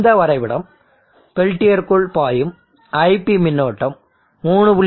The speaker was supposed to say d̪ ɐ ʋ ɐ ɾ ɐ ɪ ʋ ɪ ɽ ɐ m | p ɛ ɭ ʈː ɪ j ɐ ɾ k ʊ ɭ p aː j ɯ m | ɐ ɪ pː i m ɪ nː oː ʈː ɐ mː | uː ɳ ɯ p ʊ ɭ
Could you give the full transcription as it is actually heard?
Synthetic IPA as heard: d̪ ɐ ʋ ɐ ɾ ɐ ɪ ʋ ɪ ɽ ɐ m | p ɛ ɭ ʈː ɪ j ɐ ɾ k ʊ ɭ p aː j ɯ m | ɐ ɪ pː i m ɪ nː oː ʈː ɐ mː | uː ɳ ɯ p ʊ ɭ